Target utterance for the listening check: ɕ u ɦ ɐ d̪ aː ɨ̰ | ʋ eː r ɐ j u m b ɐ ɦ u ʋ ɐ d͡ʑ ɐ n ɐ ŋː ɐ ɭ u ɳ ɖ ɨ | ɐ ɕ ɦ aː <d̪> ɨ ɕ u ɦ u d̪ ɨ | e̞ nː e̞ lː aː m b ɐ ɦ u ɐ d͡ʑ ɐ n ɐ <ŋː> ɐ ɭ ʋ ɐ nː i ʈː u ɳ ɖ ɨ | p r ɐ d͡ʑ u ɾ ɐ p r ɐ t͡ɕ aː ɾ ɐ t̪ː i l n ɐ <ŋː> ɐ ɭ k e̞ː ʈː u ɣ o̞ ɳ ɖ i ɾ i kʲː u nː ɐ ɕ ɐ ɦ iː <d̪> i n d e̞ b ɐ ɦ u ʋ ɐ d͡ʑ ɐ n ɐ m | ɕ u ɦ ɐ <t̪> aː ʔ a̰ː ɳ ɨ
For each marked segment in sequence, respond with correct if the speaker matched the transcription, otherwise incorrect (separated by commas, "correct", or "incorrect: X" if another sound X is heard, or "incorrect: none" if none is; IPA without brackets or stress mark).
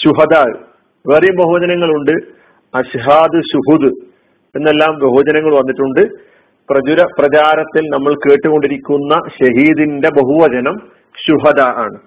correct, correct, incorrect: mː, correct, incorrect: d̪